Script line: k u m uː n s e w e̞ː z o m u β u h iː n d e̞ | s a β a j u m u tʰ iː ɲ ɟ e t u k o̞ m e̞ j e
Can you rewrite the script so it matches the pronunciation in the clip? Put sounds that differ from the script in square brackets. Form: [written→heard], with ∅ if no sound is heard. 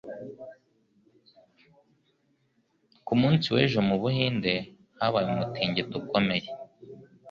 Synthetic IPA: k u m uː n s [e→i] w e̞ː [z→ʒ] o m u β u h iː n d e̞ | [s→h] a β a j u m u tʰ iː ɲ ɟ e t u k o̞ m e̞ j e